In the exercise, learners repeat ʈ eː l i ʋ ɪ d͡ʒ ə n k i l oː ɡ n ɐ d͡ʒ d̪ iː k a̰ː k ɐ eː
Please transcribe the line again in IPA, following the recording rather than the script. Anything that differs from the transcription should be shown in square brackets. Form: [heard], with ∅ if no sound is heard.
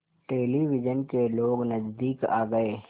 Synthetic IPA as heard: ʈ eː l i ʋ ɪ d͡ʒ ə n k [e] l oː ɡ n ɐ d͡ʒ d̪ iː k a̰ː [ɡ] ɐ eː